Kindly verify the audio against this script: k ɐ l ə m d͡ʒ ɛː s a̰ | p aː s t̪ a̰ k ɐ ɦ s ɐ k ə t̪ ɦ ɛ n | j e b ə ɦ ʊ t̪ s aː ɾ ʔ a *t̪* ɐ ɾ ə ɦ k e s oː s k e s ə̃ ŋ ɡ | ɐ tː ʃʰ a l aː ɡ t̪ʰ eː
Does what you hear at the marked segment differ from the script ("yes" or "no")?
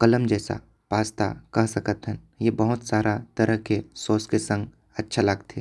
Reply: no